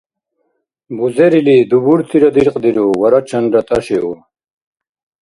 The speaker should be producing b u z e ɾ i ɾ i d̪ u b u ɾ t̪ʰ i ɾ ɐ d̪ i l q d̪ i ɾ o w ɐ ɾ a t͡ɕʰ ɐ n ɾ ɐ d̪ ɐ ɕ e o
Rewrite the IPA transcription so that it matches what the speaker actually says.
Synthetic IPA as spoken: b u z e ɾ i l i d̪ u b u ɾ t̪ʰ i ɾ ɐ d̪ i ɾ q d̪ i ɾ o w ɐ ɾ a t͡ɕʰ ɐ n ɾ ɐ t̪ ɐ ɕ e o